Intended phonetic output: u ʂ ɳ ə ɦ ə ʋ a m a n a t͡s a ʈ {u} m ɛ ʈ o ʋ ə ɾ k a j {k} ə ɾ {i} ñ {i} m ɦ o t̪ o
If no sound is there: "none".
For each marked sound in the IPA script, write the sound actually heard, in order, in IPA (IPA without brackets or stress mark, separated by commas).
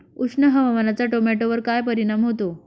o, p, i, a